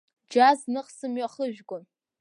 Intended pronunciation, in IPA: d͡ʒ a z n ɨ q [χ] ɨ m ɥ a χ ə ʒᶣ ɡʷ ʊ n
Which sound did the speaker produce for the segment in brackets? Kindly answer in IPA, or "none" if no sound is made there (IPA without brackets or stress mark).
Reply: s